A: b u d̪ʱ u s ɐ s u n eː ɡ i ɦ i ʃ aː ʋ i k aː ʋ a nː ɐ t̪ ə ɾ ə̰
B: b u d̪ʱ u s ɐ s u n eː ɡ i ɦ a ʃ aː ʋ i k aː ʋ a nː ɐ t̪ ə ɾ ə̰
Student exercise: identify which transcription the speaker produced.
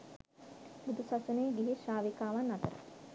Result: A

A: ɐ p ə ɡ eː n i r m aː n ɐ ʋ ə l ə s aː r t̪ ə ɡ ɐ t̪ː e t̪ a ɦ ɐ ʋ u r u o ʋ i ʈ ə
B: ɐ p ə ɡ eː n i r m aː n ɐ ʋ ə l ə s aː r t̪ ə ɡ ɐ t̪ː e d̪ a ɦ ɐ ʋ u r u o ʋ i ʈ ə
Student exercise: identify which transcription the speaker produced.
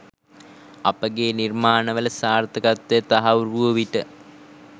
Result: A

